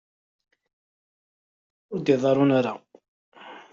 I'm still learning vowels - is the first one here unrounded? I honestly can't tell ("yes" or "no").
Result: no